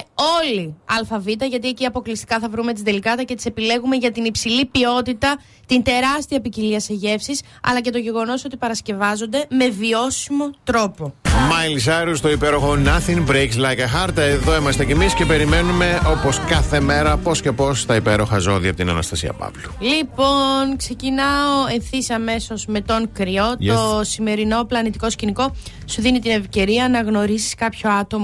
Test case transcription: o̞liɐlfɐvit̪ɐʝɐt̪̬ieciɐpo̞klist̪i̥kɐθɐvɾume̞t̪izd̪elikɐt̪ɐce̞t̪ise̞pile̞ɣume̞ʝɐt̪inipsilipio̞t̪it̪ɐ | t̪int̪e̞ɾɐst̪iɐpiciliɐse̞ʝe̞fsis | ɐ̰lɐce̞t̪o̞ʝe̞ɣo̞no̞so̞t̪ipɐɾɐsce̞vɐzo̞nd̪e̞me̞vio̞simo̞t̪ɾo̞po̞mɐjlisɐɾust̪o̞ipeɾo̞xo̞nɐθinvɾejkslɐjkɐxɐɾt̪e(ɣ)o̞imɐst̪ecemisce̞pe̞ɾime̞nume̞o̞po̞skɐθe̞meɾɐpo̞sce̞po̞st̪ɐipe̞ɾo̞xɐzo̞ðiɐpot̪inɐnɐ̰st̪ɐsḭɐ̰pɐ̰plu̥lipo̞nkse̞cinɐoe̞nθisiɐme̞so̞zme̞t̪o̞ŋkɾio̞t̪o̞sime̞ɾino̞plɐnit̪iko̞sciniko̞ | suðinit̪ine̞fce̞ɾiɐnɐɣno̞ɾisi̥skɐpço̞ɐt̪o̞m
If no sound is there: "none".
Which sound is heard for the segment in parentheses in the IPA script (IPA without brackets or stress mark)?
ð